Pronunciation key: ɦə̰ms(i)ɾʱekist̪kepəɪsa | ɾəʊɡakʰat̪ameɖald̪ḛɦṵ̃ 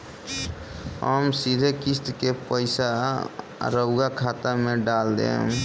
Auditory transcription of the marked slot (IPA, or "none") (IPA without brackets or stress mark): i